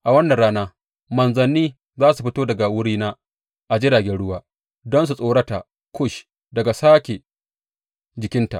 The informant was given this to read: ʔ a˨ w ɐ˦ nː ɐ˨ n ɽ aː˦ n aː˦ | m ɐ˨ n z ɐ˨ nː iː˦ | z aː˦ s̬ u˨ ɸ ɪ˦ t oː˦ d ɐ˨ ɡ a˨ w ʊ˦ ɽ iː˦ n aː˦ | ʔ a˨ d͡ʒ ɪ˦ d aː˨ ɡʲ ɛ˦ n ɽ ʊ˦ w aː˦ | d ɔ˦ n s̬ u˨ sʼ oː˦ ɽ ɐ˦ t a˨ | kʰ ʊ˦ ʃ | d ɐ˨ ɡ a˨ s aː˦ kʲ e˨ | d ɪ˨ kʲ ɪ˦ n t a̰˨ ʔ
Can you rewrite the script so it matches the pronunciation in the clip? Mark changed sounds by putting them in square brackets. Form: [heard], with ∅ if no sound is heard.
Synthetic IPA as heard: ʔ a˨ w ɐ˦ nː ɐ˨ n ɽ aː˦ n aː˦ | m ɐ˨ n z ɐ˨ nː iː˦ | z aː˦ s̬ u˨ ɸ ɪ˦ t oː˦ d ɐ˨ ɡ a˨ w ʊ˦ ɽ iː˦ n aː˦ | ʔ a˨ d͡ʒ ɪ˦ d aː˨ ɡʲ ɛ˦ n ɽ ʊ˦ w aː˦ | d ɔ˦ n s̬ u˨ sʼ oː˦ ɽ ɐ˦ t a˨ | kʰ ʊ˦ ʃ | d ɐ˨ ɡ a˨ s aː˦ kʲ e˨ | [d͡ʒ] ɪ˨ kʲ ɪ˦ n t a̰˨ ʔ